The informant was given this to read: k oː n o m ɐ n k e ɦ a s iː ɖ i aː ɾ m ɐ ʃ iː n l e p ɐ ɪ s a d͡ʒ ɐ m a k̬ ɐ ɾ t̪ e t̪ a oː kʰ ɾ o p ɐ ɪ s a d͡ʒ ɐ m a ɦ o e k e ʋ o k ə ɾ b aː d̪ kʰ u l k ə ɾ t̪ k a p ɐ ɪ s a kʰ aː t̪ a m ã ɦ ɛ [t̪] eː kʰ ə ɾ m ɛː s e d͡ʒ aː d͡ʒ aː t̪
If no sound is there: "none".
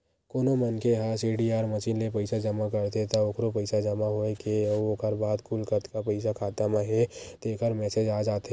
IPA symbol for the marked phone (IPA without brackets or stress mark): t̪